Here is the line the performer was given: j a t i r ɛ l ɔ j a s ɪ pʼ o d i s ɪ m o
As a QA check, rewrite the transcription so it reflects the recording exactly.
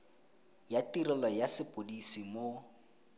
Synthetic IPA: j a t i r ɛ l ɔ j a s ɪ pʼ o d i s i m o

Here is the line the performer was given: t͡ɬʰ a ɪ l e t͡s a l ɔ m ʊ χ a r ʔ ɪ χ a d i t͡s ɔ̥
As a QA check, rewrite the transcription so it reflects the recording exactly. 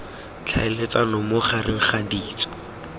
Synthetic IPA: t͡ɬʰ a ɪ l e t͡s a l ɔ m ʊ χ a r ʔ ɪ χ a d iː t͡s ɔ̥

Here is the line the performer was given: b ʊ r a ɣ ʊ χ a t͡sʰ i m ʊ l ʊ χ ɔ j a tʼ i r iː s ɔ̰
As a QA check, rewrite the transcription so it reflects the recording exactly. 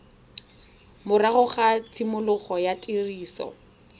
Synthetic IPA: m ʊ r a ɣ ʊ χ a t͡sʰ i m ʊ l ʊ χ ɔ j a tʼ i r iː s ɔ̰

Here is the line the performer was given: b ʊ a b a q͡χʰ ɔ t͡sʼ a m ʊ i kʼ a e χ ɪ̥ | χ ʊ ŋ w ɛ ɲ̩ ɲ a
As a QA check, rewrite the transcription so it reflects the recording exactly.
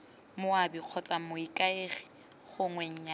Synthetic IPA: m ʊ a b i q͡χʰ ɔ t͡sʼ a m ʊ i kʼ a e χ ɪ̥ | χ ʊ ŋ w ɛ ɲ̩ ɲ a

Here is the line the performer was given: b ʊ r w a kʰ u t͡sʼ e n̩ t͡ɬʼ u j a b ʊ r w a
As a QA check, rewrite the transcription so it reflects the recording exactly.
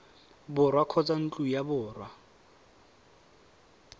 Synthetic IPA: b ʊ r w a kʰ ɔ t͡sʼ a n̩ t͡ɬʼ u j a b ʊː r w a

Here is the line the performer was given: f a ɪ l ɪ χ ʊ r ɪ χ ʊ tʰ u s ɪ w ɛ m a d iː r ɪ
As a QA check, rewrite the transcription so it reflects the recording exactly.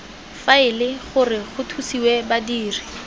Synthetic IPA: f a ɪ l ɪ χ ʊ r ɪ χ ʊ tʰ u s i w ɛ b a d iː r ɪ

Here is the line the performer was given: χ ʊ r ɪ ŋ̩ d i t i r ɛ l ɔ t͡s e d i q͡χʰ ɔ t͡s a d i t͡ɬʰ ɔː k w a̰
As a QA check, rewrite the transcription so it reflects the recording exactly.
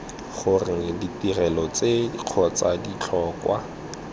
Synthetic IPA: χ ʊ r ɪ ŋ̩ d i t i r ɛ l ɔ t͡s e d i q͡χʰ ɔ t͡s a d i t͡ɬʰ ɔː k w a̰

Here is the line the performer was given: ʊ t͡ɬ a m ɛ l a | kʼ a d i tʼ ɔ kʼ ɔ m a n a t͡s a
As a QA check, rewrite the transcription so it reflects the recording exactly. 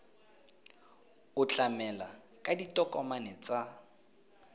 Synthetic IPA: ʊ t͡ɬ a m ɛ l a | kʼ a d i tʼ ɔ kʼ ɔ m a n ɛ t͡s a

